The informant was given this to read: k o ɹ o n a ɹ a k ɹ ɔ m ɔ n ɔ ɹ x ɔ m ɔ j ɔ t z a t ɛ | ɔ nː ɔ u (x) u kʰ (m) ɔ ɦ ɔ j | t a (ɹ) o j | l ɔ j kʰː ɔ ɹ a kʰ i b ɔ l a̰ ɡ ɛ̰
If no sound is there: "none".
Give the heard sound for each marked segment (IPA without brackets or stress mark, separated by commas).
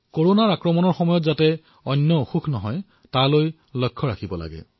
x, n, l